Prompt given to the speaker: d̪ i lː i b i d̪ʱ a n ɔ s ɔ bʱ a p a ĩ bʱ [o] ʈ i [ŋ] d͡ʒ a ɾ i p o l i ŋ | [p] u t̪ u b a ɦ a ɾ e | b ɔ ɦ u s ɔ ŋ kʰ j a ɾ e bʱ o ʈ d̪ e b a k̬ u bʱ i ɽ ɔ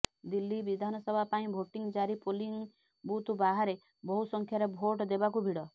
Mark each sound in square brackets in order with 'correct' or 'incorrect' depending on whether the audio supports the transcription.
correct, correct, incorrect: b

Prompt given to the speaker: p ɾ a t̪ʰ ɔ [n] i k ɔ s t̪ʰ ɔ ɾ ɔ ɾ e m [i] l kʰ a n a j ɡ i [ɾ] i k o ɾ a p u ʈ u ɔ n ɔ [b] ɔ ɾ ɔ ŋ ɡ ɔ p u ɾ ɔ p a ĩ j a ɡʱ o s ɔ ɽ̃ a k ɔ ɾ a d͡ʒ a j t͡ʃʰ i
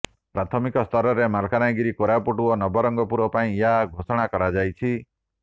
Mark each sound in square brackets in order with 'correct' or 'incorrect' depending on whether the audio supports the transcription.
incorrect: m, incorrect: a, correct, correct

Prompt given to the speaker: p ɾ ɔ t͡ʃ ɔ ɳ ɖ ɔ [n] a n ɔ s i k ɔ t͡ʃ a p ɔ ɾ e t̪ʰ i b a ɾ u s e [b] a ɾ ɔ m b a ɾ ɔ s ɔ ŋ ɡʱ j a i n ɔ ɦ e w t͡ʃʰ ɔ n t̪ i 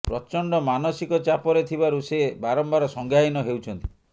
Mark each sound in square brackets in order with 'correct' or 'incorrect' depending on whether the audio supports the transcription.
incorrect: m, correct

